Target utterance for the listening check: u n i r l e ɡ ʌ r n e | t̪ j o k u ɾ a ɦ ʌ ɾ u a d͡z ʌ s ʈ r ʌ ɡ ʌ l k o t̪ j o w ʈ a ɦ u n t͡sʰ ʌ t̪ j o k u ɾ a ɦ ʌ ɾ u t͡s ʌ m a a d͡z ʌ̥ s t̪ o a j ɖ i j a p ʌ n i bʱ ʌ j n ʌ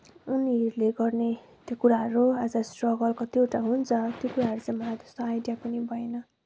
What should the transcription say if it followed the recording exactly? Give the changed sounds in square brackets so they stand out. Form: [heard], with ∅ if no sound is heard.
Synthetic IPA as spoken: u n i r l e ɡ ʌ r n e | t̪ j o k u ɾ a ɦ ʌ ɾ u a d͡z ʌ s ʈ r ʌ ɡ ʌ l k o t̪ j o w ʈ a ɦ u n t͡sʰ ʌ t̪ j o k u ɾ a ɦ ʌ ɾ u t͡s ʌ m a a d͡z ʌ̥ s t̪ o a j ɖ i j a p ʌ n i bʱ ʌ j n ʌ